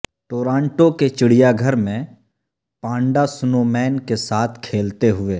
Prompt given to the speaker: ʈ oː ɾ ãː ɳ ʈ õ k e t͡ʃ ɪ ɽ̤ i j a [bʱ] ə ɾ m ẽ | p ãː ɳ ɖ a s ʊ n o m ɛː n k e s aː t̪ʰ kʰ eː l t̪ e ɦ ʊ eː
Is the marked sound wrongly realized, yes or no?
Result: yes